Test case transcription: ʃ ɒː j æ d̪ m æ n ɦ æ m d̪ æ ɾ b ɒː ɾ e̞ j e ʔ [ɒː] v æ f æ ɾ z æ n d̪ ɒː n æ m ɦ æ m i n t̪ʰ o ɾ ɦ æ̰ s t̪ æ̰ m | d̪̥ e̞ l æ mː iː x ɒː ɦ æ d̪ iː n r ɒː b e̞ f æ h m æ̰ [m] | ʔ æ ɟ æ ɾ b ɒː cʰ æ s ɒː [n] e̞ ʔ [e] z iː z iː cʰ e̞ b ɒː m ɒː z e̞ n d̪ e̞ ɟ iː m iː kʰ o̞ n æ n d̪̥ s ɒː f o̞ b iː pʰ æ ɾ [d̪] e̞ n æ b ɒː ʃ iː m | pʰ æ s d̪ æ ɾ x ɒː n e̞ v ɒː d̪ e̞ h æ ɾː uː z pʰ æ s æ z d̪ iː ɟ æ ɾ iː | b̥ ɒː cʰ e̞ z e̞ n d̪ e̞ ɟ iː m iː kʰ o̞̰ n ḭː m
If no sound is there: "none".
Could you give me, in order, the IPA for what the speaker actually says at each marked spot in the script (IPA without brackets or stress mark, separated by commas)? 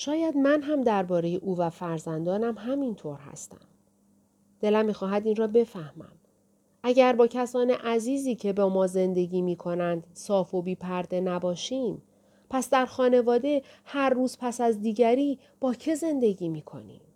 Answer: uː, m, n, æ, d̪